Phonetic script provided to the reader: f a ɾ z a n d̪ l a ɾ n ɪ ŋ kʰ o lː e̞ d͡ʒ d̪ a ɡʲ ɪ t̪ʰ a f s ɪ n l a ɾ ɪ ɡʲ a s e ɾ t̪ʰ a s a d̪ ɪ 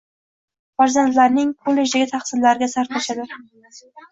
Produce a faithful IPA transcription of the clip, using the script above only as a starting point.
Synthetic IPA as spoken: f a ɾ z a n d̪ l a ɾ n ɪ ŋ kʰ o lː e̞ d͡ʒ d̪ a ɡʲ ɪ t̪ʰ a χ s ɪ n l a ɾ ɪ ɡʲ a s a ɾ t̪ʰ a ʃ a d̪ ɪ